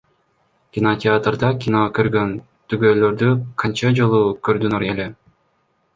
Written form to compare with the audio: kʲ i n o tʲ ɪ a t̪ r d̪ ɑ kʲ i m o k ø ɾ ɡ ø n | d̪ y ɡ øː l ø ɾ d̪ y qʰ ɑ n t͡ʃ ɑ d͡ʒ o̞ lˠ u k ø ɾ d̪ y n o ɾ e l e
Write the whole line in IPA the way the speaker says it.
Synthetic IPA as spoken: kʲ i n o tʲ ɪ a t̪ r d̪ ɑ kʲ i n o k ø ɾ ɡ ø n | t̪ y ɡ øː l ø ɾ d̪ y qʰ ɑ n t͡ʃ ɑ d͡ʒ o̞ lˠ u k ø ɾ d̪ y n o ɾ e l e

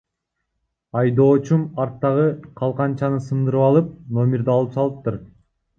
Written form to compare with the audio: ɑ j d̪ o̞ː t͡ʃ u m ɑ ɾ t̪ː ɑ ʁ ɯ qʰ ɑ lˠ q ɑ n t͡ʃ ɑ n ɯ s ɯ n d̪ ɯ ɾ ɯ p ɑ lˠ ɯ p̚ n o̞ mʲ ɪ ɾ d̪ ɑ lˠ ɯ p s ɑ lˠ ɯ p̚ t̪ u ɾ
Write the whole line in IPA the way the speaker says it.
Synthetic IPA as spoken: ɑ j d̪ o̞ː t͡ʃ u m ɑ ɾ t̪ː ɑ ʁ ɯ qʰ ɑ lˠ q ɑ n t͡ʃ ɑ n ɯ s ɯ n d̪ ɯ ɾ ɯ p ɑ lˠ ɯ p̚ n o̞ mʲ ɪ ɾ d̪ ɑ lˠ ɯ p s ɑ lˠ ɯ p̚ t̪ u ɾ

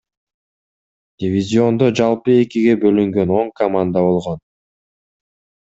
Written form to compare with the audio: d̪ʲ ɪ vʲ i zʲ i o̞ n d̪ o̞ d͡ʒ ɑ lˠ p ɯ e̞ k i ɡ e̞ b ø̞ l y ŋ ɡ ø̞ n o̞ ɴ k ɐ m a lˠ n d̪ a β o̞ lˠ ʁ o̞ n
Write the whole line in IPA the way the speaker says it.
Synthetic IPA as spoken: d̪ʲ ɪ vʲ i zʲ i o̞ n d̪ o̞ d͡ʒ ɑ lˠ p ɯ e̞ k i ɡ e̞ b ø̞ l y ŋ ɡ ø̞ n o̞ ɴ k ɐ m a n d̪ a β o̞ lˠ ʁ o̞ n

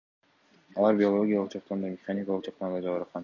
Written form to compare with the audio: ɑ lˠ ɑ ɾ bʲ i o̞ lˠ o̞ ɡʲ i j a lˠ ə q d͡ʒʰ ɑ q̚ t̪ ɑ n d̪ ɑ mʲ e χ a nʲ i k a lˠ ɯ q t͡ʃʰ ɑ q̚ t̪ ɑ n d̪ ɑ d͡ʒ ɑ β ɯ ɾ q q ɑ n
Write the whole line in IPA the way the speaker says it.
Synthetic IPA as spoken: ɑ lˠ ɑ ɾ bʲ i o̞ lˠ o̞ ɡʲ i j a lˠ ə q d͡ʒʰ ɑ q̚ t̪ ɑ n d̪ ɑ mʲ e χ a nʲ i k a lˠ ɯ q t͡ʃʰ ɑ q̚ t̪ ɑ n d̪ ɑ d͡ʒ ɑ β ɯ ɾ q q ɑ n

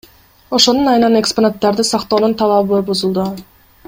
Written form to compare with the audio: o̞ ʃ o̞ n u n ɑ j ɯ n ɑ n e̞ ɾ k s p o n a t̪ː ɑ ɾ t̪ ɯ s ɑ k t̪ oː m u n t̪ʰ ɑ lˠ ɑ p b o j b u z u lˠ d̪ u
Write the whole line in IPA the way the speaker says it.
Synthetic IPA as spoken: o̞ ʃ o̞ n u n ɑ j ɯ n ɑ n e̞ k s p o n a t̪ː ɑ ɾ d̪ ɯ s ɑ q t̪ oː n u n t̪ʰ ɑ lˠ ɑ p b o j b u z u lˠ d̪ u

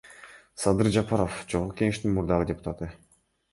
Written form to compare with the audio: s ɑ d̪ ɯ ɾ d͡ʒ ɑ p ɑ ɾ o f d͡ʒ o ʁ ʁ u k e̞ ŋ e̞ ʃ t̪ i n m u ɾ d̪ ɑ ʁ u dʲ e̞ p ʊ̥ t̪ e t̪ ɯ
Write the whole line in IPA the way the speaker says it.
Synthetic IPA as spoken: s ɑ d̪ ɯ ɾ d͡ʒ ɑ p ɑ ɾ o f d͡ʒ o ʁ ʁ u k e̞ ŋ e̞ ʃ t̪ i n m u ɾ d̪ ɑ ʁ ɯ dʲ e̞ p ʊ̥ t̪ a t̪ ɯ

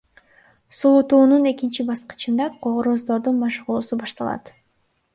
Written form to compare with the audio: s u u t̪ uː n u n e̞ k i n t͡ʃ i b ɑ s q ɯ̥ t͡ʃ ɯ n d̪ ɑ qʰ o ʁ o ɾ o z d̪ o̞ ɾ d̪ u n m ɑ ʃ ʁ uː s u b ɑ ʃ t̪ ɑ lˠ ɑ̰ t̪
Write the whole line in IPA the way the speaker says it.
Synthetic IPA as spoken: s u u t̪ uː n u n e̞ k i n t͡ʃ i b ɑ s q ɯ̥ t͡ʃ ɯ n d̪ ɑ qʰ o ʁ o ɾ o z d̪ o̞ ɾ d̪ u n m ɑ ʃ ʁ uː s u b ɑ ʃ t̪ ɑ lˠ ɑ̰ t̪

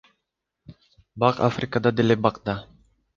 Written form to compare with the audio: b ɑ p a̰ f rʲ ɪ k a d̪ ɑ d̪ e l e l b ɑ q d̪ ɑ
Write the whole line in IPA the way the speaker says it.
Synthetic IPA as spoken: b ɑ q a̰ f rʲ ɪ k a d̪ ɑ d̪ e l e b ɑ q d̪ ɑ

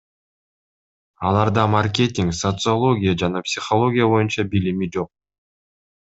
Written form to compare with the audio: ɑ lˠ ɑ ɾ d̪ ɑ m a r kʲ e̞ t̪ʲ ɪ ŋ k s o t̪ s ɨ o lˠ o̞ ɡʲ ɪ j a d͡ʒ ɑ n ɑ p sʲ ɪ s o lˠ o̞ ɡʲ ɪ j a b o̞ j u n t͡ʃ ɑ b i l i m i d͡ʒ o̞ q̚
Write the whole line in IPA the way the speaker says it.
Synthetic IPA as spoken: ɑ lˠ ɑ ɾ d̪ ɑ m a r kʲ e̞ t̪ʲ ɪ ŋ k s o t̪ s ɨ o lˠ o̞ ɡʲ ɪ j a d͡ʒ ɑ n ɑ p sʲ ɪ χ o lˠ o̞ ɡʲ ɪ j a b o̞ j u n t͡ʃ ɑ b i l i m i d͡ʒ o̞ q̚

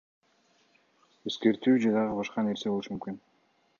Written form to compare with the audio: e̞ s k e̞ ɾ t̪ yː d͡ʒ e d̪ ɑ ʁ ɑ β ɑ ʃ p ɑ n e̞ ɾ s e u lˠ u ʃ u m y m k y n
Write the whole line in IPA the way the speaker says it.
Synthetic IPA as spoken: e̞ s k e̞ ɾ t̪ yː d͡ʒ e d̪ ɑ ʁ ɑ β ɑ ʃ q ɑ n e̞ ɾ s e o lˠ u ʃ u m y m k y n

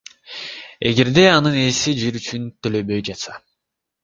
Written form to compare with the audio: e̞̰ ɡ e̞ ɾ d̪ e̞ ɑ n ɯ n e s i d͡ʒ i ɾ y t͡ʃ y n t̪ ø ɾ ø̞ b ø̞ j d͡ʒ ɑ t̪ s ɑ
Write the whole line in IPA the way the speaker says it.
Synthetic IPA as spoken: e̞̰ ɡ e̞ ɾ d̪ e̞ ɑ n ɯ n e s i d͡ʒ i ɾ y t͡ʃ y n t̪ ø l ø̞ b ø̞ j d͡ʒ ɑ t̪ s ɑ

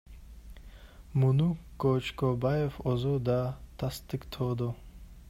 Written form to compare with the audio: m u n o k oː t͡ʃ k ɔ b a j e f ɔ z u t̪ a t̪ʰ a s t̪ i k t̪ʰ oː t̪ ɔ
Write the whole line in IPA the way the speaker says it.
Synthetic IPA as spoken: m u n u k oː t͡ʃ k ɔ b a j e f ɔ z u d̪ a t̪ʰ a s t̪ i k t̪ʰ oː d̪ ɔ

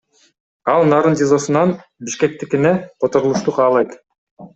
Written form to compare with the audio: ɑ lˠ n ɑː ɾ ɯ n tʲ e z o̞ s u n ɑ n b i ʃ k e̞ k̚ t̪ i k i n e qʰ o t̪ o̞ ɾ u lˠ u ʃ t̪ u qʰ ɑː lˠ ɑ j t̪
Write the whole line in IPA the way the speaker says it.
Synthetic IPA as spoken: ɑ lˠ n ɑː ɾ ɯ n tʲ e z o̞ s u n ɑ n b i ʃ k e̞ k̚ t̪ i k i n e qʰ o t̪ o̞ ɾ u lˠ u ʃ t̪ u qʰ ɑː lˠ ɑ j t̪

